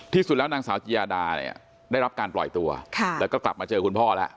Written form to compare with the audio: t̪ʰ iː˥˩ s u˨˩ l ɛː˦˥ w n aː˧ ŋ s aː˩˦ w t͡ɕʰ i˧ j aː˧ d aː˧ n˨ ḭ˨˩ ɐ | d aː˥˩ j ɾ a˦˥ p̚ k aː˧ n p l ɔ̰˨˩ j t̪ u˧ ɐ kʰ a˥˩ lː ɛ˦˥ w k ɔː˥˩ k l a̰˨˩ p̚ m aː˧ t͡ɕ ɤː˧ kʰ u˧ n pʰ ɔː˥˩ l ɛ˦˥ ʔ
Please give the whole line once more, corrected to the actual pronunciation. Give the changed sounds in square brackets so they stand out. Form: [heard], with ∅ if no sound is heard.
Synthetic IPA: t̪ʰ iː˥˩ s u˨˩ l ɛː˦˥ w n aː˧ ŋ s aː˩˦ w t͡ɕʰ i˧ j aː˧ d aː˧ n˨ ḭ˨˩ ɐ | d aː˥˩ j ɾ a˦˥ p̚ k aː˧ n p l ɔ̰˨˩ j t̪ u˧ ɐ kʰ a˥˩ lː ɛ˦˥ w k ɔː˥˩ k l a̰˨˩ p̚ m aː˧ t͡ɕ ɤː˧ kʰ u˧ n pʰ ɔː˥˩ l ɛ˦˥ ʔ